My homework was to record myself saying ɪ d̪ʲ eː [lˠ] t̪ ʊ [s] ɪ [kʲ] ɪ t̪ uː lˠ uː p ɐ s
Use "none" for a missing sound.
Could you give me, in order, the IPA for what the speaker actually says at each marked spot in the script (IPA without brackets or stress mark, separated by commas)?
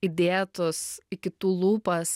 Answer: none, s, kʲ